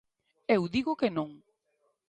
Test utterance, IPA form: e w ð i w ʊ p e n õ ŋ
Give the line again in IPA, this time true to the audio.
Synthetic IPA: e w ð i ɣ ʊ k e n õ ŋ